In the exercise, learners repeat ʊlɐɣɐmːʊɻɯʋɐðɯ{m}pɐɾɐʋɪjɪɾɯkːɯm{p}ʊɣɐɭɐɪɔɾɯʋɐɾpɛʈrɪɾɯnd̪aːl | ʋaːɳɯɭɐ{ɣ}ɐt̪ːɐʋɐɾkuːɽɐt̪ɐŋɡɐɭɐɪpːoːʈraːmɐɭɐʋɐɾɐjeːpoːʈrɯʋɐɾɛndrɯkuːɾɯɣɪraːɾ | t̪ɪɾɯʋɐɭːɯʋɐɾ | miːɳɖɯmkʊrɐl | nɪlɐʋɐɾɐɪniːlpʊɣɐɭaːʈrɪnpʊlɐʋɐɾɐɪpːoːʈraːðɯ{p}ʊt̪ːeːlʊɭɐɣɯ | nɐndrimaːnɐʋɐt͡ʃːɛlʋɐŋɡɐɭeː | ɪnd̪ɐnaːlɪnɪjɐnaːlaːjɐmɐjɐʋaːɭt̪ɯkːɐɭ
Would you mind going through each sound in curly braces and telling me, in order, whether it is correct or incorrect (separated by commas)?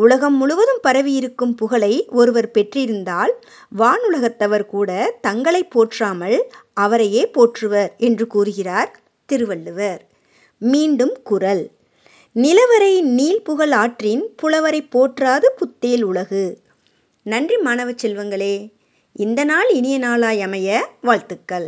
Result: correct, correct, correct, correct